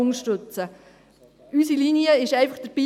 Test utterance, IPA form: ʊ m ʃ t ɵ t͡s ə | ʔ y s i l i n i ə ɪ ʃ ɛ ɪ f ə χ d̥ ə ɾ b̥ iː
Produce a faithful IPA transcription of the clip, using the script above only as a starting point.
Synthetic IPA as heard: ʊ ŋ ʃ t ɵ t͡s ə | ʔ y s i l i n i ə ɪ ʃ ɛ ɪ f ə χ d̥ ə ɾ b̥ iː